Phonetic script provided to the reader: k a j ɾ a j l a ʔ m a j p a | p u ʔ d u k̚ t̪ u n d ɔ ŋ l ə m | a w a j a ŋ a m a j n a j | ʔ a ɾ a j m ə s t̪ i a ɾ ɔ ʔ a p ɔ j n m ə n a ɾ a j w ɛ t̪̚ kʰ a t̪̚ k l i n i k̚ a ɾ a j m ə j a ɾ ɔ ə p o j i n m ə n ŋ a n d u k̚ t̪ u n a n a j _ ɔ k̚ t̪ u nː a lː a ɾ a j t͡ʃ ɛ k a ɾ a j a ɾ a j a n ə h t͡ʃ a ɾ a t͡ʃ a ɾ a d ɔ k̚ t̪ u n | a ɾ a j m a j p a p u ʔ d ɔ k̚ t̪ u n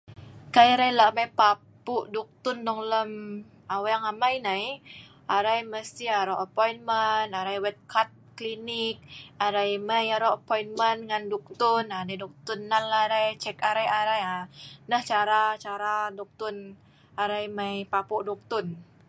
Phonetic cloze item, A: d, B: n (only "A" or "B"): A